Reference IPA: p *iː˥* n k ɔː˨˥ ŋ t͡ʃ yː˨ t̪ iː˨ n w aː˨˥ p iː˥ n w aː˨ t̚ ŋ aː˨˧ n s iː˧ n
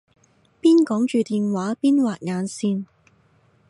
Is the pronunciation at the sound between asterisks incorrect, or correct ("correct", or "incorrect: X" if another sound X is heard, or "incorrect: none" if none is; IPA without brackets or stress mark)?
correct